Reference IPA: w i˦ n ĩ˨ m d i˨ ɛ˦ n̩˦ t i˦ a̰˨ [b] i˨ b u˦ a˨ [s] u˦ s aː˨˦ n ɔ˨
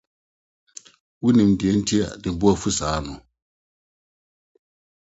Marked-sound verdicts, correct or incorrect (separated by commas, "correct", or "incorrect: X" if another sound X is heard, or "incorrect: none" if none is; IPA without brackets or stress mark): incorrect: d, incorrect: f